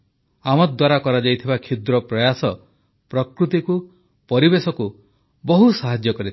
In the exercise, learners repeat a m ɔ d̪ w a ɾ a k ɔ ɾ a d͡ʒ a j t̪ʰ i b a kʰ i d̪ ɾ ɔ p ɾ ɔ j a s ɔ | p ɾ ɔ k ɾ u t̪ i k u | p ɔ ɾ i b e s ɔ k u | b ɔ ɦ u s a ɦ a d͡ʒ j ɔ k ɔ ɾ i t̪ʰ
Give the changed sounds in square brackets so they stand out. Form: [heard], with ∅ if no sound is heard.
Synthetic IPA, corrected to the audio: a m ɔ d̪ w a ɾ a k ɔ ɾ a d͡ʒ a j t̪ʰ i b a kʰ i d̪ ɾ ɔ p ɾ ɔ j a s ɔ | p ɾ ɔ k ɾ u t̪ i k u | p ɔ ɾ i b e s ɔ k u | b ɔ ɦ u s a ɦ a d͡ʒ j ɔ k ɔ ɾ i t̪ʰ